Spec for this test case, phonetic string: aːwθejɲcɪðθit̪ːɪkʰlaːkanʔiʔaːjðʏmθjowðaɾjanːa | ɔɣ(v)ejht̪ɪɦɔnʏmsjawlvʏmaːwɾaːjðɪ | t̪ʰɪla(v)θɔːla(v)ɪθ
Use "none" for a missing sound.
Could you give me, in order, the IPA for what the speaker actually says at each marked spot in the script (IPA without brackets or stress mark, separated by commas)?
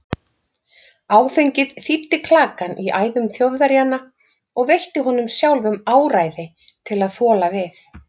v, ð, v